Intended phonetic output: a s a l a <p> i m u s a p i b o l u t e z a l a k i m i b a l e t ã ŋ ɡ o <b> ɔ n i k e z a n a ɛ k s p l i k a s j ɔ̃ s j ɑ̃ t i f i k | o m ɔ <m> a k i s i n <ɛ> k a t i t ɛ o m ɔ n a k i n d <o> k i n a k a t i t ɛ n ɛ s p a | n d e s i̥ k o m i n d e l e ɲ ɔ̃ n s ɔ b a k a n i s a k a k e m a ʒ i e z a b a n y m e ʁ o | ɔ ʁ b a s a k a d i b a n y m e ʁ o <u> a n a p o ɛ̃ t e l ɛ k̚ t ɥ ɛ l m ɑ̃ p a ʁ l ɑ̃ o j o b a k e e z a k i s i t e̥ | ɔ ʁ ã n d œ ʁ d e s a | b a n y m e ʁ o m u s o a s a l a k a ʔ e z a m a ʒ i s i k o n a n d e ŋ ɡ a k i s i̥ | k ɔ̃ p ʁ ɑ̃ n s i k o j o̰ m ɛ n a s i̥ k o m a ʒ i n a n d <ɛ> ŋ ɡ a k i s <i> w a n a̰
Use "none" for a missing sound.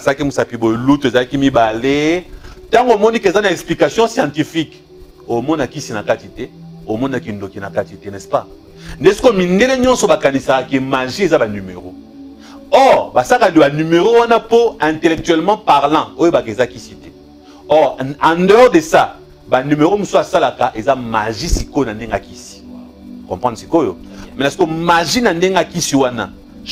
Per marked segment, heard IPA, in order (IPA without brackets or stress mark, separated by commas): k, m, n, a, o, w, e, i